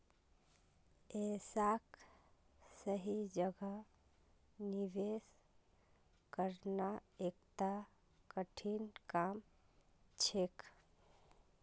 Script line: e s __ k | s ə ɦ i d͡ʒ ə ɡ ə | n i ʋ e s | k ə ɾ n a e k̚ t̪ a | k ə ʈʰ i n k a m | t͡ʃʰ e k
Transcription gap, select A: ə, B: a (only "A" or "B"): B